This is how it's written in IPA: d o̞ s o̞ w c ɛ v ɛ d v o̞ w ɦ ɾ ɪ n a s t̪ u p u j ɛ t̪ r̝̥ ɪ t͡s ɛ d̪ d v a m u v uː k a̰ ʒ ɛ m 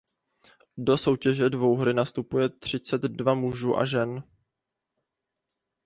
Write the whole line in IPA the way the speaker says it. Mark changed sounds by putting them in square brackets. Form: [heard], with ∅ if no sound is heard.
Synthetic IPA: d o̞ s o̞ w c ɛ [ʒ] ɛ d v o̞ w ɦ ɾ ɪ n a s t̪ u p u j ɛ t̪ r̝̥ ɪ t͡s ɛ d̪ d v a m u [ʒ] uː [ʔ] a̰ ʒ ɛ [n]